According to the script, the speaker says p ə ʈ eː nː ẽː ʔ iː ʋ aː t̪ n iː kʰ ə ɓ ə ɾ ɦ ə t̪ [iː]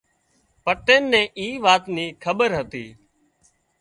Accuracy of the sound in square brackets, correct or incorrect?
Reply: correct